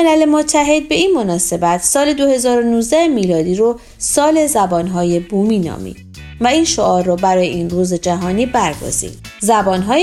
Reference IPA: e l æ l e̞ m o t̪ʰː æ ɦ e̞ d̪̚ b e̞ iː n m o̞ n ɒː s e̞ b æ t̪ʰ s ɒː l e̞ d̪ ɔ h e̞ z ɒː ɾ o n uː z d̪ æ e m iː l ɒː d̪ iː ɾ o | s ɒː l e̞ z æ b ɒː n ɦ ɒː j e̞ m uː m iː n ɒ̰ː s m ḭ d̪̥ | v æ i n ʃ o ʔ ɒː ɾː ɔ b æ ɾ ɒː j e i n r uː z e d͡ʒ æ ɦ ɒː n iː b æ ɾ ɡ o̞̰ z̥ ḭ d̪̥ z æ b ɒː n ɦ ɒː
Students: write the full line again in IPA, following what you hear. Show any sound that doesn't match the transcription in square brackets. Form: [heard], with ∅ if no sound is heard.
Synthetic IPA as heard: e l æ l e̞ m o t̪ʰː æ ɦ e̞ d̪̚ b e̞ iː n m o̞ n ɒː s e̞ b æ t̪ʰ s ɒː l e̞ d̪ [o] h e̞ z ɒː ɾ o n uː z d̪ æ e m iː l ɒː d̪ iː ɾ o | s ɒː l e̞ z æ b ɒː n ɦ ɒː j e̞ [b] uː m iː n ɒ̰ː [∅] m ḭ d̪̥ | v æ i n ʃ o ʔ ɒː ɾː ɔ b æ ɾ ɒː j e i n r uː z e d͡ʒ æ ɦ ɒː n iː b æ ɾ ɡ o̞̰ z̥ ḭ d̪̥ z æ b ɒː n ɦ ɒː